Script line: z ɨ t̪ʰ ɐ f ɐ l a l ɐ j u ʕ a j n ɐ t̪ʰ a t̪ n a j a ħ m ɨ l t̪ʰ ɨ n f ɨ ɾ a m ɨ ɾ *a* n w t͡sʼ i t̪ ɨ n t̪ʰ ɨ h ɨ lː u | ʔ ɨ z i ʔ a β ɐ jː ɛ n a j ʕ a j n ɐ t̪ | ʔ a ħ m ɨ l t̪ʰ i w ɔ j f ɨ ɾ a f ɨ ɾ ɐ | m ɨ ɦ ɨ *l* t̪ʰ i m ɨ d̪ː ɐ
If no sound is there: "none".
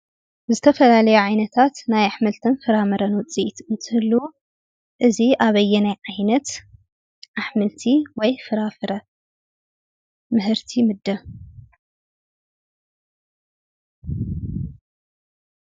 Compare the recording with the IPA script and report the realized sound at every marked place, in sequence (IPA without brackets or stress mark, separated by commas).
ɐ, ɾ